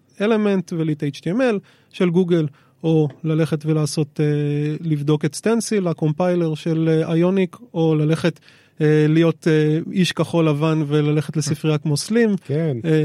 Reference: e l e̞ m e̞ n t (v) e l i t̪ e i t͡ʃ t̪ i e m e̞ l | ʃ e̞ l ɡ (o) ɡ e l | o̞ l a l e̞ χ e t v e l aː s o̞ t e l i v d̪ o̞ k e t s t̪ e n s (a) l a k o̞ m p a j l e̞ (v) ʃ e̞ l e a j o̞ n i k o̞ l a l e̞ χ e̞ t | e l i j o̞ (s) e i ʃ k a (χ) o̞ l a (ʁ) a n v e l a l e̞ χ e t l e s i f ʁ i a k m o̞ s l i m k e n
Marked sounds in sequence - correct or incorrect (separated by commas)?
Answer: correct, incorrect, incorrect, incorrect, incorrect, correct, incorrect